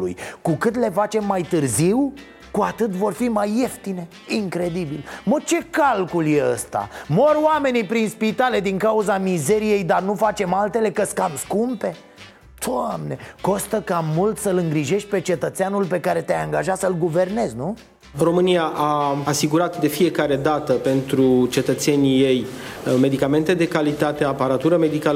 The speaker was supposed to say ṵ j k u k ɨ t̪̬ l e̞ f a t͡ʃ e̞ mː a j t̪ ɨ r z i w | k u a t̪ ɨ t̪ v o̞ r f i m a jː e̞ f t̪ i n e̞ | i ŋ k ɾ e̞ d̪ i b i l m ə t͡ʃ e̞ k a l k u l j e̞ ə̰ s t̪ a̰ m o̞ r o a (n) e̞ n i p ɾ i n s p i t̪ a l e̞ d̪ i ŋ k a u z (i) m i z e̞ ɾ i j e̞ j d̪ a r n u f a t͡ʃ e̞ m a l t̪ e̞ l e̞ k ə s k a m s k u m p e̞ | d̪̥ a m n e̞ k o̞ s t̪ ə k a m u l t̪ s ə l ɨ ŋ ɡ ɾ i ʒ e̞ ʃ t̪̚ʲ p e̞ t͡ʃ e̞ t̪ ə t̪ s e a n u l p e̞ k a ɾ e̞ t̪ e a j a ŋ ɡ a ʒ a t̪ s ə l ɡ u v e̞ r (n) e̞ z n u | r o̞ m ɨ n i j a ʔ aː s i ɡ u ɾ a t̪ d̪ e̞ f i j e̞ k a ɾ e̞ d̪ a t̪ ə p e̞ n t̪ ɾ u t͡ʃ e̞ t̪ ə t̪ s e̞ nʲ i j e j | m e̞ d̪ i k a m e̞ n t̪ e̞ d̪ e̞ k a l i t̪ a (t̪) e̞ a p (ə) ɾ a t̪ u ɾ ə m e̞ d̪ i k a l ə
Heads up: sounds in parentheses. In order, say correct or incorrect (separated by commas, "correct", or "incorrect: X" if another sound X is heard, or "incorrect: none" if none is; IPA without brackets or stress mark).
incorrect: m, incorrect: a, correct, correct, incorrect: a